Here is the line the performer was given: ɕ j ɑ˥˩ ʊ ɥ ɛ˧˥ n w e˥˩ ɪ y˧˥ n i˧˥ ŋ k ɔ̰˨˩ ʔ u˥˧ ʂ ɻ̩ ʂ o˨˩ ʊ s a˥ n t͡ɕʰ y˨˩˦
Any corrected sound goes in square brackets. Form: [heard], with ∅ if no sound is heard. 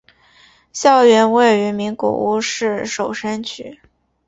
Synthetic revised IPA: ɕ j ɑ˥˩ ʊ ɥ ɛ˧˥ n w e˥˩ ɪ y˧˥ [m] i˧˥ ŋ k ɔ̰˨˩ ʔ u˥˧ ʂ ɻ̩ ʂ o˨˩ ʊ [ʂ] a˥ n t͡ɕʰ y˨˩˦